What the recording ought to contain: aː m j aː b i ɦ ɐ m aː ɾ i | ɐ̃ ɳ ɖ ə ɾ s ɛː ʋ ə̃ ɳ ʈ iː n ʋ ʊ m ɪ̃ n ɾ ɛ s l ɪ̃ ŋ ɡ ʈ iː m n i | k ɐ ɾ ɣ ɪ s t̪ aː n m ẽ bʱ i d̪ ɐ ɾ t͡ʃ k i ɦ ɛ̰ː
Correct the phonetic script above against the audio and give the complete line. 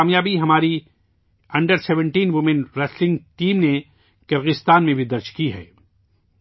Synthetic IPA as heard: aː m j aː b i ɦ ɐ m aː ɾ i | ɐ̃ ɳ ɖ ə ɾ s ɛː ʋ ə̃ ɳ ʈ iː n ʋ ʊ m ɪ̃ n ɾ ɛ s l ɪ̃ ŋ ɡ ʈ iː m n e | k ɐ ɾ ɣ ɪ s t̪ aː n m ẽ bʱ i d̪ ɐ ɾ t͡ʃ k i ɦ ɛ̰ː